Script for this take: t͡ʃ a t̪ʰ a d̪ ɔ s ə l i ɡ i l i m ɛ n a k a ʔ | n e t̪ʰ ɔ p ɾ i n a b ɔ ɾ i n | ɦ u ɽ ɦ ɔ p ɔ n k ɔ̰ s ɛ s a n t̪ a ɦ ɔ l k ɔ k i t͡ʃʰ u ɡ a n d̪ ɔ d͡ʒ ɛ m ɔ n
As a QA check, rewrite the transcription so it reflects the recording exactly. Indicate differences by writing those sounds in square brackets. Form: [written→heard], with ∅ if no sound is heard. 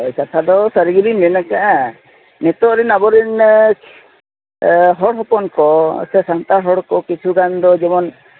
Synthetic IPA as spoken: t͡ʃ a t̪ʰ a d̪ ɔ s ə [l→ɾ] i ɡ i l i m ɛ n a k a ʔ | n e [t̪ʰ→t̪] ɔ [p→∅] ɾ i n a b ɔ ɾ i n | ɦ [u→ɔ] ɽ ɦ ɔ p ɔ n k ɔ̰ s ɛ s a n t̪ a ɦ ɔ [l→ɽ] k ɔ k i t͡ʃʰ u ɡ a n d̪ ɔ d͡ʒ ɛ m ɔ n